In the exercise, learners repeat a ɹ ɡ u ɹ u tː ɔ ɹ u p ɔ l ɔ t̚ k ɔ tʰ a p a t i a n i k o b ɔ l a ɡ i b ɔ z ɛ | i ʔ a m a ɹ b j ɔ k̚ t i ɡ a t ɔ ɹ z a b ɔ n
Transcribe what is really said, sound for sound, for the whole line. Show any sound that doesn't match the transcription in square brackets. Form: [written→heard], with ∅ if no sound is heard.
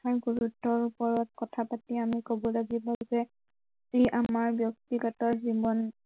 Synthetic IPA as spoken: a ɹ ɡ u ɹ u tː ɔ ɹ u p ɔ [l→ɹ] ɔ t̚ k ɔ tʰ a p a t i a [n→m] i k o b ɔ l a ɡ i b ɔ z ɛ | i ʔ a m a ɹ b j ɔ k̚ t i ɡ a t ɔ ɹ z [a→i] b ɔ n